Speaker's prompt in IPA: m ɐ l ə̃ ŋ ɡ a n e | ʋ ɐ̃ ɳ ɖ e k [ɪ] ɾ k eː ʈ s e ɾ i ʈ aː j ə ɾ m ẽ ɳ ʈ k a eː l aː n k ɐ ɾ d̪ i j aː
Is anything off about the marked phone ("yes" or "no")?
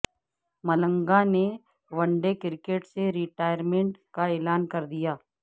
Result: no